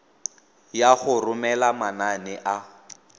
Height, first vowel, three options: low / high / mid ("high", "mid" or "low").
low